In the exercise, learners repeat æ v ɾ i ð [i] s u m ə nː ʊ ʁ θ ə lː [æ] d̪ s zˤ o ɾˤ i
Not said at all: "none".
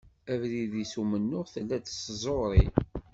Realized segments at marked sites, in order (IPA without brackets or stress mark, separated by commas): i, æ